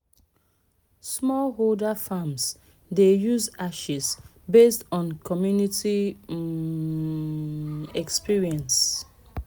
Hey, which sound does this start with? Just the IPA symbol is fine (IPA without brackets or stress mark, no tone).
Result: s